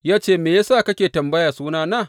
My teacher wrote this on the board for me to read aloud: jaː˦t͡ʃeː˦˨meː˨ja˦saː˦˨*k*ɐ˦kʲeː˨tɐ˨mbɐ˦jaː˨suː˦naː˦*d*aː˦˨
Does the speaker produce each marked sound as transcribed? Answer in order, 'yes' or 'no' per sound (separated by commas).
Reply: yes, no